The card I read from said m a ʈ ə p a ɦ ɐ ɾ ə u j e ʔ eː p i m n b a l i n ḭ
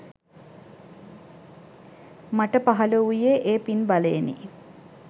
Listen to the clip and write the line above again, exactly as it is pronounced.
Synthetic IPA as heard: m a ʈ ə p a ɦ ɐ l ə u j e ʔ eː p i n b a l e n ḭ